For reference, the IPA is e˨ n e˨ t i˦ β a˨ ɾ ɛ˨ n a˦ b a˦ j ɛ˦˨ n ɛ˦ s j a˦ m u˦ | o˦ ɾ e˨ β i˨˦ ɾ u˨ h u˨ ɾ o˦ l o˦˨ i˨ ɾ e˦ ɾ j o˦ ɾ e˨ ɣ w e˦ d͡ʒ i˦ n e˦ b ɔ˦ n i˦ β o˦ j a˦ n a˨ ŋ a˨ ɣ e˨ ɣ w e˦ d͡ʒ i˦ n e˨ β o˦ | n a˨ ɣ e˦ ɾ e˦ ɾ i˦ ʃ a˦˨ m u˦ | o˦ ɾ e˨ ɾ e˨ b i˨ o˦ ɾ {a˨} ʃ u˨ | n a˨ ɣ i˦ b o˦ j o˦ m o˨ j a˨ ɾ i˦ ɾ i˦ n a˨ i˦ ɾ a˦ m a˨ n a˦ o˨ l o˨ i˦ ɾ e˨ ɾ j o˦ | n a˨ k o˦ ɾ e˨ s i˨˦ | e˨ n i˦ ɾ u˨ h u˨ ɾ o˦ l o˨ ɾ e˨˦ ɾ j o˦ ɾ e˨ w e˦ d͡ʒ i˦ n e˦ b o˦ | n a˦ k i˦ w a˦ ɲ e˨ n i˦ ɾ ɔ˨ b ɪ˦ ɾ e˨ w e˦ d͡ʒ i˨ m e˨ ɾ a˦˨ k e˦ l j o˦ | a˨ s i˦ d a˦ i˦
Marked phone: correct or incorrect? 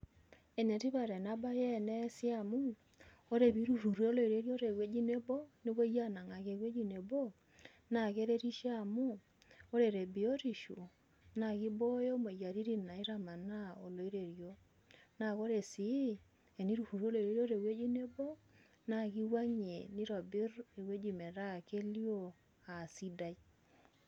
incorrect: i˨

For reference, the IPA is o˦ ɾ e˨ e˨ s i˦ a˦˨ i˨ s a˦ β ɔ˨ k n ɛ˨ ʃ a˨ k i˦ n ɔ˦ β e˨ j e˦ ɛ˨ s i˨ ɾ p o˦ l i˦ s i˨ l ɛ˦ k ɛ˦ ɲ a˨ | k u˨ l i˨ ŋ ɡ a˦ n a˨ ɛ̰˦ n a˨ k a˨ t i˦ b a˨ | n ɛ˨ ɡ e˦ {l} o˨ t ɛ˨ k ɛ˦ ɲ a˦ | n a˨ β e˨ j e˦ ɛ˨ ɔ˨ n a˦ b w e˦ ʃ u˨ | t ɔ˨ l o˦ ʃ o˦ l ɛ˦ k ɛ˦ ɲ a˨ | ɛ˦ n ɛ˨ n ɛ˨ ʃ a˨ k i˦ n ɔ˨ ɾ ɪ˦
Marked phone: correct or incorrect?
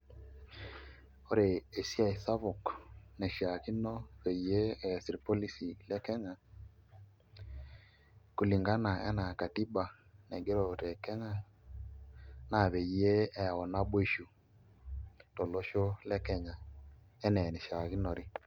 incorrect: ɾ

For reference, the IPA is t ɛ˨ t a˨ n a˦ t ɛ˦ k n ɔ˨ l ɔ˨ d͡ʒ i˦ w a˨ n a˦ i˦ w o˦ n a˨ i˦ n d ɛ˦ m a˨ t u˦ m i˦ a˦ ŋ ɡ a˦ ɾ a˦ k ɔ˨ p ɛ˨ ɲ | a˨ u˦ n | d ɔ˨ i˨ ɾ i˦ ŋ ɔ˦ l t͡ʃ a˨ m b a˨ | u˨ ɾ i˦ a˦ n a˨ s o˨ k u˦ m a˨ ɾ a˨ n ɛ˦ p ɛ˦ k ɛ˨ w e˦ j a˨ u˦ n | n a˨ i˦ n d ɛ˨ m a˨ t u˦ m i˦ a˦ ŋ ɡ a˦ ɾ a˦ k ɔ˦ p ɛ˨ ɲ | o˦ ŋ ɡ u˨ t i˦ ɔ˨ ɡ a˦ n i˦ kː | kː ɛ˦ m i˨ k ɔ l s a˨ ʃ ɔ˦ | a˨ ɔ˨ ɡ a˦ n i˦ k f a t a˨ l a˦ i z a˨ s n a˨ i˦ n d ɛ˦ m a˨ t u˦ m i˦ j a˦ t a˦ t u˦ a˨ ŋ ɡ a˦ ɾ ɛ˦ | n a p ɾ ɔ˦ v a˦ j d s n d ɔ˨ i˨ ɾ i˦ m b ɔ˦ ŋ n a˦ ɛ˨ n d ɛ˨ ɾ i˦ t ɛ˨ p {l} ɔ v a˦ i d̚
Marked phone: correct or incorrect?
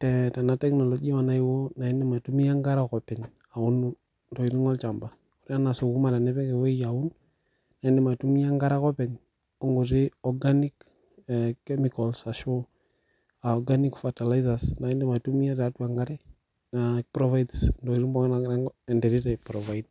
incorrect: ɾ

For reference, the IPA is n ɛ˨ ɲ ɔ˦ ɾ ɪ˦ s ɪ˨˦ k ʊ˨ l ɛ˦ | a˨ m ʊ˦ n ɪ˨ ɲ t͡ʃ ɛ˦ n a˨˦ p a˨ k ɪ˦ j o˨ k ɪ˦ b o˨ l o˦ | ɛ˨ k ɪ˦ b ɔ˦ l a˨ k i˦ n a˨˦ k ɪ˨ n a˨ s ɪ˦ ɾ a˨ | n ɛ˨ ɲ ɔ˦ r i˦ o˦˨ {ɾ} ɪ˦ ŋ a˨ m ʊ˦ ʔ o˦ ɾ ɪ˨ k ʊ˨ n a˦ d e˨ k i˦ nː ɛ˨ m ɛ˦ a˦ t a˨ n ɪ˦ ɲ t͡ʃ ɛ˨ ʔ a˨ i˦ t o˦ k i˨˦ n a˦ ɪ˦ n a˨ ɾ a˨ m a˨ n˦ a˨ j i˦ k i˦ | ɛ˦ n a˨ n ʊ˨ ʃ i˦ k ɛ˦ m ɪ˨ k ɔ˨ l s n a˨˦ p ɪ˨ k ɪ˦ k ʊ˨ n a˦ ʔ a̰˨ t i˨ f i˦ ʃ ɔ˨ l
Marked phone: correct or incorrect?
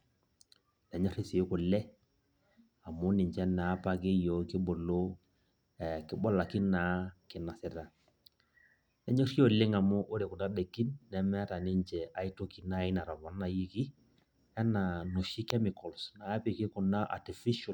incorrect: l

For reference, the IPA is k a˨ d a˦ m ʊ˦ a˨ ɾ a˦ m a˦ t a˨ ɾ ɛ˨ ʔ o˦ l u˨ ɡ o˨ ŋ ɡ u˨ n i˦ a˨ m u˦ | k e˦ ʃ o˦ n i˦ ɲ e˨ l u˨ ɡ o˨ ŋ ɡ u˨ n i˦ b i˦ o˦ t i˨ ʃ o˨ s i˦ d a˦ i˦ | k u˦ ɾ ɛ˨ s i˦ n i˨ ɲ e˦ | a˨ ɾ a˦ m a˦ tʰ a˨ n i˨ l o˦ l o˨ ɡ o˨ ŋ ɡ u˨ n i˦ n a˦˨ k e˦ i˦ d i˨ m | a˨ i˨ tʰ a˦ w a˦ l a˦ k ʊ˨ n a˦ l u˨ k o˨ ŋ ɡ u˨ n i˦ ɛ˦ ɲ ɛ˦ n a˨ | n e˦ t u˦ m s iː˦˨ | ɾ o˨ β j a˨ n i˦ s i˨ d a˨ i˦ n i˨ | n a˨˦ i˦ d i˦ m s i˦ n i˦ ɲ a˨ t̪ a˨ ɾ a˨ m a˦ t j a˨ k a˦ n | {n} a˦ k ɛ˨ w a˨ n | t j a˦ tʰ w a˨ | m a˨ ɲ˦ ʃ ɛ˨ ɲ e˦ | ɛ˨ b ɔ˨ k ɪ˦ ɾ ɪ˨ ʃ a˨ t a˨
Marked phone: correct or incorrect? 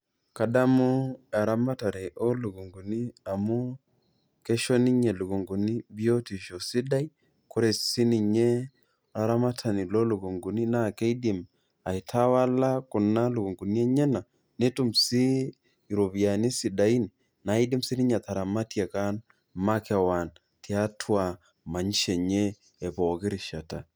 incorrect: m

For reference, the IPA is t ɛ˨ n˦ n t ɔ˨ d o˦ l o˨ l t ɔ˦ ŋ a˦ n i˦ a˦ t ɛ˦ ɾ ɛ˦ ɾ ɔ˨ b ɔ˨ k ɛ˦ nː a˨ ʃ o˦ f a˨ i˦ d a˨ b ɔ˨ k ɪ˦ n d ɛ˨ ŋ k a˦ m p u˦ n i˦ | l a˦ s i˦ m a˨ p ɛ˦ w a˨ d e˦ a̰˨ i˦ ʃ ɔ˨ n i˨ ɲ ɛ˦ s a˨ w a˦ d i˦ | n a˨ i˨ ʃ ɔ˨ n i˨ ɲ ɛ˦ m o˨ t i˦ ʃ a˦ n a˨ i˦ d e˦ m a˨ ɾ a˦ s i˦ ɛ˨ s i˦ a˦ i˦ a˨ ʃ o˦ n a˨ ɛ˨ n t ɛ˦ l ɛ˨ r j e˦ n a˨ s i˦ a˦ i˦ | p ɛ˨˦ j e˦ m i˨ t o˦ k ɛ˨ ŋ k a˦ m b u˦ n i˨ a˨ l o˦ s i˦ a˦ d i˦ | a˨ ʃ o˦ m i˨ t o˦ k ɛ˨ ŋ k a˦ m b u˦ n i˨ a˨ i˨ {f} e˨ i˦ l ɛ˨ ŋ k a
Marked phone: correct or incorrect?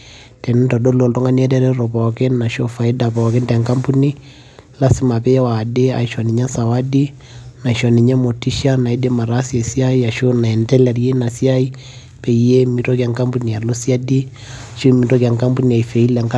correct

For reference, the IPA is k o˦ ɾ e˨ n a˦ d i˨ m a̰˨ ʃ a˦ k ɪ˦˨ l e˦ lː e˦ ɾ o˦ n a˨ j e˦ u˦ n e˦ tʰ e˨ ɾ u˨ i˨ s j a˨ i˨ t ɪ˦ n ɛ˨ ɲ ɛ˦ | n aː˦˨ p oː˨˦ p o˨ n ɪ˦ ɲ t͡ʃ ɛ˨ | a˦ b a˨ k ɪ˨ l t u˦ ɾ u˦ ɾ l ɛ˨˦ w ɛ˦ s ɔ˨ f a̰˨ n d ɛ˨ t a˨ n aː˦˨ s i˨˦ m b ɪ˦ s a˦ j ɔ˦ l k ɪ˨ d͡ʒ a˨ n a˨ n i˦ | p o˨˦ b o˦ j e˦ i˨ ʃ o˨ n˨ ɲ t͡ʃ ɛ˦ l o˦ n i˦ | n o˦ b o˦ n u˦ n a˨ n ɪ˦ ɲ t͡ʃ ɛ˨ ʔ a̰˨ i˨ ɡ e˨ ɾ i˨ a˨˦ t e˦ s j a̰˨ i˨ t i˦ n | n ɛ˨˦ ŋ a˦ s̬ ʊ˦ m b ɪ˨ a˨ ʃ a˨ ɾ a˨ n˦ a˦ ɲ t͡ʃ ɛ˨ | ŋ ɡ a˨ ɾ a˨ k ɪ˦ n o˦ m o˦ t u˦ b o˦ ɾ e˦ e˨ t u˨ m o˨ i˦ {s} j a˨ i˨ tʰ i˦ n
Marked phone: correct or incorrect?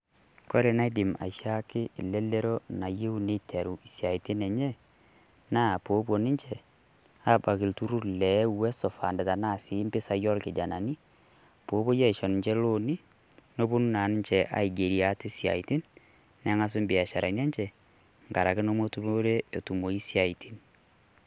correct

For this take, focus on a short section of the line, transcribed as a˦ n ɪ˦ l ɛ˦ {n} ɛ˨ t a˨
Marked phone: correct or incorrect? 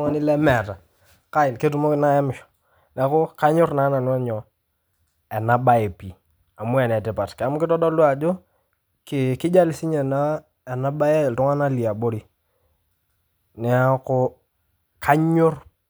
incorrect: m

